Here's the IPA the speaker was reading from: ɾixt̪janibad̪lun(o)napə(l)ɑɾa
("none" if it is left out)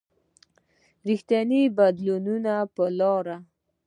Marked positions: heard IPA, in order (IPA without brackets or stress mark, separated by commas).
u, l